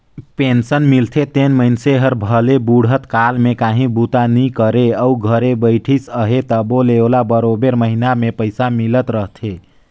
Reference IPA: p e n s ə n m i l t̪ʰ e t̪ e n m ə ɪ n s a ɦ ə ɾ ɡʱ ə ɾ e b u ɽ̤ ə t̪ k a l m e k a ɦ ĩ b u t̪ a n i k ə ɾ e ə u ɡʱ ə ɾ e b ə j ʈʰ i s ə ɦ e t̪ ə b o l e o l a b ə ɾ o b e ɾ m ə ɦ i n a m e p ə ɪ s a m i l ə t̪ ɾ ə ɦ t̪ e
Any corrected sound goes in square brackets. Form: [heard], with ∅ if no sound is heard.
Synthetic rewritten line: p e n s ə n m i l t̪ʰ e t̪ e n m ə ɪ n s [e] ɦ ə ɾ [bʱ] ə [l] e b u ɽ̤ ə t̪ k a l m e k a ɦ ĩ b u t̪ a n i k ə ɾ e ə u ɡʱ ə ɾ e b ə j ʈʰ i s ə ɦ e t̪ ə b o l e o l a b ə ɾ o b e ɾ m ə ɦ i n a m e p ə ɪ s a m i l ə t̪ ɾ ə ɦ [t̪ʰ] e

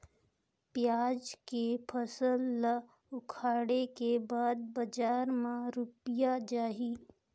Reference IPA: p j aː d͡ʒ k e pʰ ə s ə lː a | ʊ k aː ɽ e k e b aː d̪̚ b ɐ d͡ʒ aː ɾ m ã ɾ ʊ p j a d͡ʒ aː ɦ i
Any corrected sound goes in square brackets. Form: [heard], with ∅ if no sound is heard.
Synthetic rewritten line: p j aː d͡ʒ k e pʰ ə s ə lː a | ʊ [kʰ] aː ɽ e k e b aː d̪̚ b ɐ d͡ʒ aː ɾ m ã ɾ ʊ p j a d͡ʒ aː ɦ i

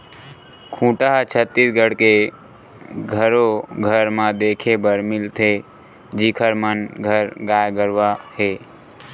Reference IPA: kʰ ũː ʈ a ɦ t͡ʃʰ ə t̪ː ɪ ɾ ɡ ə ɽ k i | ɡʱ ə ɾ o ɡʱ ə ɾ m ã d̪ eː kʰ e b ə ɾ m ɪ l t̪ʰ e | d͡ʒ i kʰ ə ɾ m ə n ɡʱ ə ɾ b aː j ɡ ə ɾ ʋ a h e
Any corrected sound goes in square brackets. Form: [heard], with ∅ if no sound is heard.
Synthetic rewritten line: kʰ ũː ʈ a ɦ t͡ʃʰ ə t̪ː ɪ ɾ ɡ ə ɽ k [e] | ɡʱ ə ɾ o ɡʱ ə ɾ m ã d̪ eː kʰ e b ə ɾ m ɪ l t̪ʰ e | d͡ʒ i kʰ ə ɾ m ə n ɡʱ ə ɾ [ɡ] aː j ɡ ə ɾ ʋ a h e

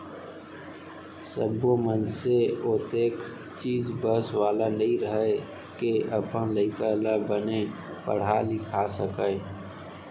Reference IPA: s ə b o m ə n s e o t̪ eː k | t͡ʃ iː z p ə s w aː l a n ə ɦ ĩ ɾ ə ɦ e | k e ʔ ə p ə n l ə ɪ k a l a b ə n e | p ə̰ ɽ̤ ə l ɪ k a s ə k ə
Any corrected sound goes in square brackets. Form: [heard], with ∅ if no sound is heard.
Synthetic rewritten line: s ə b o m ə n s e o t̪ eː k | t͡ʃ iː z [b] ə s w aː l a n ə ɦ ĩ ɾ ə ɦ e | k e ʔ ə p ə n l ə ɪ k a l a b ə n e | p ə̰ ɽ̤ [a] l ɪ [kʰ] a s ə k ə

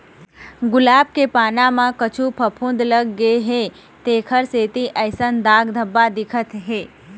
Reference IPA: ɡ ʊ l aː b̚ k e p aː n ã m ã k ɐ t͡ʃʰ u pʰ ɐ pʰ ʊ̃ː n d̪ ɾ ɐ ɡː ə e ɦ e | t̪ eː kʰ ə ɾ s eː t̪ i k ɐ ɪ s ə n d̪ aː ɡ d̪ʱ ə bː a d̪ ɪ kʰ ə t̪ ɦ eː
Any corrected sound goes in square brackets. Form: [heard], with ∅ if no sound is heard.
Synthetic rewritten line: ɡ ʊ l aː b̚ k e p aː n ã m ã k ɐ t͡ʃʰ u pʰ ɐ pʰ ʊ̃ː n d̪ [l] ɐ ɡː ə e ɦ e | t̪ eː kʰ ə ɾ s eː t̪ i [ʔ] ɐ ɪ s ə n d̪ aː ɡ d̪ʱ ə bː a d̪ ɪ kʰ ə t̪ ɦ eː

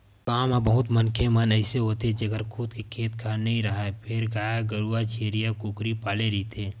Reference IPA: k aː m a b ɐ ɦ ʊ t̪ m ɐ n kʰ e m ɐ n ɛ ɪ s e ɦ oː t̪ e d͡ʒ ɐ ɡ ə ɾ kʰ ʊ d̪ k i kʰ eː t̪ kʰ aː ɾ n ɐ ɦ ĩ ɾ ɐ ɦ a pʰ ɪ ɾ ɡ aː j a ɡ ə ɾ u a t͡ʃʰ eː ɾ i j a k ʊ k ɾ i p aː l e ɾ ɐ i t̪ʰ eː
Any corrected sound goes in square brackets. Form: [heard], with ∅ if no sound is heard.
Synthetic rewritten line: k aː m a b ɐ ɦ ʊ t̪ m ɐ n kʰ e m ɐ n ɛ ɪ s e ɦ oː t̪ e d͡ʒ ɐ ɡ ə ɾ kʰ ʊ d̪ k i kʰ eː t̪ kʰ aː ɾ n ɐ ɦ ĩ ɾ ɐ ɦ a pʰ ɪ ɾ ɡ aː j a ɡ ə ɾ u a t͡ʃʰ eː ɾ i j a k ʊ k ɾ i p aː l e ɾ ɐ i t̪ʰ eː

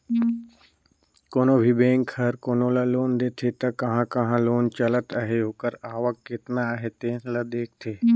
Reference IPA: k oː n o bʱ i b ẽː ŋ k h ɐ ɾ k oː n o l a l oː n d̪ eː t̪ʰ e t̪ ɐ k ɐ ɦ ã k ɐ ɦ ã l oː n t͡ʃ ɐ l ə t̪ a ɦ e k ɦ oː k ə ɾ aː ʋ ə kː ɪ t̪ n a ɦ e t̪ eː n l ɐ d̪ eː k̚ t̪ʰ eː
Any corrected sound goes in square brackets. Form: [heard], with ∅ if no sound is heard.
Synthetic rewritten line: k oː n o bʱ i b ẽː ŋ k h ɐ ɾ k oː n o l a l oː n d̪ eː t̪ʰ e t̪ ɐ k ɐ ɦ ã k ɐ ɦ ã l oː n t͡ʃ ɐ l ə t̪ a ɦ e [∅] ɦ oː k ə ɾ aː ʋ ə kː ɪ t̪ n a ɦ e t̪ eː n l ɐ d̪ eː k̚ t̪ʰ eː

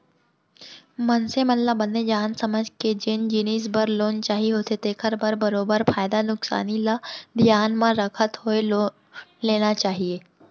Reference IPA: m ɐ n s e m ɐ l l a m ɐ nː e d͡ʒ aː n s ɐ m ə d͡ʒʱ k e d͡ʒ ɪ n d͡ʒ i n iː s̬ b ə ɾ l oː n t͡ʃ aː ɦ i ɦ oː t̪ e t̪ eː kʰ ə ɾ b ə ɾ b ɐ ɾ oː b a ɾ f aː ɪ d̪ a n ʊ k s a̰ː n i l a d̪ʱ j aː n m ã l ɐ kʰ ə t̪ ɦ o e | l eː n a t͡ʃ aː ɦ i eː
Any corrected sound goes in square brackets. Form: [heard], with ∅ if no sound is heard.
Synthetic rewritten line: m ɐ n s e m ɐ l l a [b] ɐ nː e d͡ʒ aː n s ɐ m ə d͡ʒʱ k e d͡ʒ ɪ n d͡ʒ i n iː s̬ b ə ɾ l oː n t͡ʃ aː ɦ i ɦ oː t̪ e t̪ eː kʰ ə ɾ b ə ɾ b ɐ ɾ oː b [ə] ɾ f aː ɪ d̪ a n ʊ k s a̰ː n i l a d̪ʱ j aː n m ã [ɾ] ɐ kʰ ə t̪ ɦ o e | l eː n a t͡ʃ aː ɦ i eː

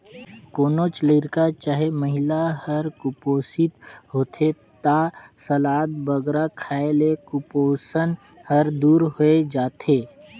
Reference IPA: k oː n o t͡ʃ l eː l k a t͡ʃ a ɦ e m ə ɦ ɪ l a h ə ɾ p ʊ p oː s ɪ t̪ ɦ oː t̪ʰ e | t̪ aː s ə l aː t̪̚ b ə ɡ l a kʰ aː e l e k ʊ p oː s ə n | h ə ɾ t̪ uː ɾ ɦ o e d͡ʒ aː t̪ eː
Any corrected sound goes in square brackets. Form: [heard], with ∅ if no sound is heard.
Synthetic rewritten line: k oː n o t͡ʃ l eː [ɾ] k a t͡ʃ a ɦ e m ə ɦ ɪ l a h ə ɾ [k] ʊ p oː s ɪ t̪ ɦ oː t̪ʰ e | t̪ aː s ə l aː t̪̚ b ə ɡ [ɾ] a kʰ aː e l e k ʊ p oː s ə n | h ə ɾ [d̪] uː ɾ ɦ o e d͡ʒ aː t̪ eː

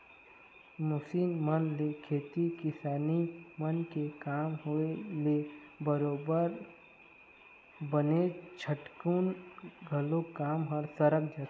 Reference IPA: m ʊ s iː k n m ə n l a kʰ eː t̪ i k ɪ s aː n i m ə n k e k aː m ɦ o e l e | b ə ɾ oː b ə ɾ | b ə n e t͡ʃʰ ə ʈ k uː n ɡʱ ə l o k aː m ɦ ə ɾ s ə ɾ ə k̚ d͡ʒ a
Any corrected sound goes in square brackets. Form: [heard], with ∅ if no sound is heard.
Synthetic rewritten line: m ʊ s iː [∅] n m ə n l [e] kʰ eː t̪ i k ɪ s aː n i m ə n k e k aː m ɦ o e l e | b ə ɾ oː b ə ɾ | b ə n e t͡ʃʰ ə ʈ k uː n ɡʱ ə l o k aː m ɦ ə ɾ s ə ɾ ə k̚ d͡ʒ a

